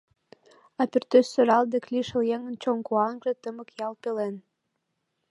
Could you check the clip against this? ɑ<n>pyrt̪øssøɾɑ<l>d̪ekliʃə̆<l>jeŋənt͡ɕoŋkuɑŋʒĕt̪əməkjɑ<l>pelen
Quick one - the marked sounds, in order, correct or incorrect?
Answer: incorrect, correct, correct, correct

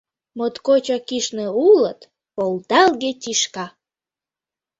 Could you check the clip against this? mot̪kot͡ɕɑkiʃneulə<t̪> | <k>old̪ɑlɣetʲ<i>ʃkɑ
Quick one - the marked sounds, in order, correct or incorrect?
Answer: correct, incorrect, correct

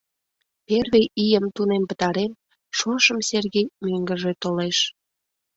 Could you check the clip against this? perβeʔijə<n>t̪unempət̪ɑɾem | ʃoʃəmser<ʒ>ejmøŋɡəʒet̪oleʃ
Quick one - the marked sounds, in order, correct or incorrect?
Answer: incorrect, incorrect

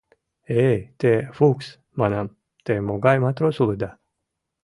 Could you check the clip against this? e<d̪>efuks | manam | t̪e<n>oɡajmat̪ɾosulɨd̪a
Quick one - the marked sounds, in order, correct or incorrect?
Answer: incorrect, incorrect

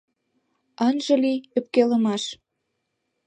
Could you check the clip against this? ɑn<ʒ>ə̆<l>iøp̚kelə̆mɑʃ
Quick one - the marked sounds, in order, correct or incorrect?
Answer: correct, correct

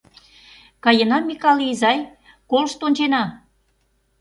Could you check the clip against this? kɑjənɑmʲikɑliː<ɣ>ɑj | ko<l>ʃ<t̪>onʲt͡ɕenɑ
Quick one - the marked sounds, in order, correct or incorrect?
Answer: incorrect, correct, correct

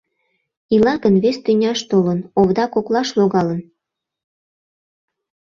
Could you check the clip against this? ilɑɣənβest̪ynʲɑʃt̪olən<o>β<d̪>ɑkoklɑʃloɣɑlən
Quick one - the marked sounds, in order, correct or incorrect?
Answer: correct, correct

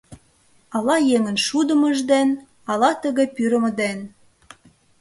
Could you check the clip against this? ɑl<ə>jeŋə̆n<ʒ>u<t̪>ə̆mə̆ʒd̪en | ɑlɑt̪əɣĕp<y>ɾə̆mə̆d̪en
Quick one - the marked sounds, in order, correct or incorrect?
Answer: incorrect, incorrect, incorrect, correct

